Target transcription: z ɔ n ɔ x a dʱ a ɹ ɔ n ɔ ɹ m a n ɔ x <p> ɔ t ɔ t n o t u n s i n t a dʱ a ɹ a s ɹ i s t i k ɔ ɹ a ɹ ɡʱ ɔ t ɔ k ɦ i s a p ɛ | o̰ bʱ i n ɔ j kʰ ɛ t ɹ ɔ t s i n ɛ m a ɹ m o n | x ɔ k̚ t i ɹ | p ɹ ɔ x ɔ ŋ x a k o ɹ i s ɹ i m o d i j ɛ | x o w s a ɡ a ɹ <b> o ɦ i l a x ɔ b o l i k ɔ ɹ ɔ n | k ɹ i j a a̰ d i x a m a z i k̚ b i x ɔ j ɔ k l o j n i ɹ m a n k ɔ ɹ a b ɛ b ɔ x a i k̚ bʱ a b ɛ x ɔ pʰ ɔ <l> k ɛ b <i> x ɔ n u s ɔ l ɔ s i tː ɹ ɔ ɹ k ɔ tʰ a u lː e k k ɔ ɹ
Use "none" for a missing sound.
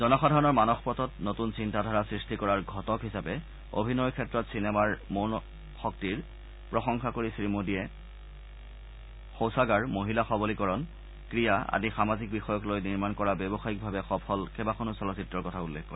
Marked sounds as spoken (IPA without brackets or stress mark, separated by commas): p, m, l, a